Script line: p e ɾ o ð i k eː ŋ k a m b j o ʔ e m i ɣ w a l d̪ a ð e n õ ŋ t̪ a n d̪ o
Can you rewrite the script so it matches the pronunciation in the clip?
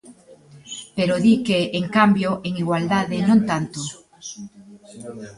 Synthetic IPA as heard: p e ɾ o ð i k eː ŋ k a m b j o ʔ e ŋ i ɣ w a l d̪ a ð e n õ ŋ t̪ a n t̪ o